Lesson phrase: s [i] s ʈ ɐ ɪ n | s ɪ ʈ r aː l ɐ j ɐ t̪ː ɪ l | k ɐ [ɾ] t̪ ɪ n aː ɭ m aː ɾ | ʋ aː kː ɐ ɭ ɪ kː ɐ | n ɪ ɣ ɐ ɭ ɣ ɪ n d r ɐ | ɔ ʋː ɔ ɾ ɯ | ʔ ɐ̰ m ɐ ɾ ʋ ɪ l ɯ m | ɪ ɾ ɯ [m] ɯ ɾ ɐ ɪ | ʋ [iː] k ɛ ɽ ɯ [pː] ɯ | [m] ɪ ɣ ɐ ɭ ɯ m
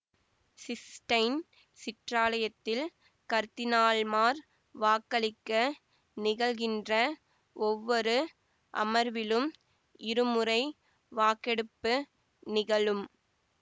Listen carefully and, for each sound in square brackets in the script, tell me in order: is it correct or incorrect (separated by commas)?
incorrect, correct, correct, incorrect, correct, incorrect